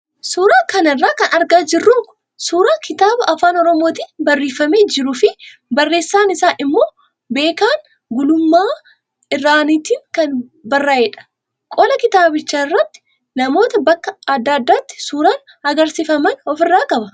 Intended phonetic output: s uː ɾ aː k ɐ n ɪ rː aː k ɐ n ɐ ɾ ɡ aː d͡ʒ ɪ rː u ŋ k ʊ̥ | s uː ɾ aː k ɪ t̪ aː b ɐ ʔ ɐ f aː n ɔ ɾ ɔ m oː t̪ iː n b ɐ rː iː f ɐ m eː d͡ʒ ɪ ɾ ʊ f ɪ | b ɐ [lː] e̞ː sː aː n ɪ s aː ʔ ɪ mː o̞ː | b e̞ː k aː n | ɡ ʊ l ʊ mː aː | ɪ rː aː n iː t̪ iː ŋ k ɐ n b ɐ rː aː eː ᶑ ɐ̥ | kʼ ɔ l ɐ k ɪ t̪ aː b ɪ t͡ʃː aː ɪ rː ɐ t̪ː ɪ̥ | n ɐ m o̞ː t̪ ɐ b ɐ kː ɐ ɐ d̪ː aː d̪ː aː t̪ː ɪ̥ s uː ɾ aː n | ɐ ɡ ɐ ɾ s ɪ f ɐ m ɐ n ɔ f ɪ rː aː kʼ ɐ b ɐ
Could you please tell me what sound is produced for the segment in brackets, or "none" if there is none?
rː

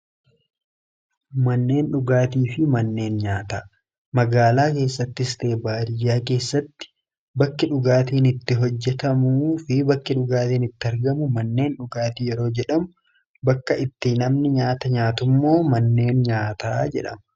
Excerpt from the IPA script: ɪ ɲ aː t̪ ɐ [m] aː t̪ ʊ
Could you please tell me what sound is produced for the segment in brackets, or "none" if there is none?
ɲ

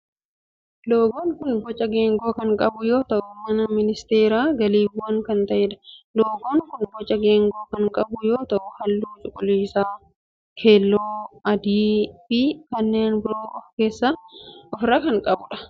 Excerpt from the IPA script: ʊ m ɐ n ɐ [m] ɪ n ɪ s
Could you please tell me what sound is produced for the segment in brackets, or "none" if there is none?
m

